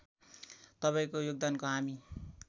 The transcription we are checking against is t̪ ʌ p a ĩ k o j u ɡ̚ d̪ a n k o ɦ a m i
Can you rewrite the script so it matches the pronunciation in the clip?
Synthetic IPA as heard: t̪ ʌ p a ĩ k o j o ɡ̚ d̪ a n k o ɦ a m i